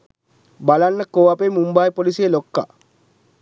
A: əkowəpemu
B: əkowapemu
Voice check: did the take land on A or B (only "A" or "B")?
B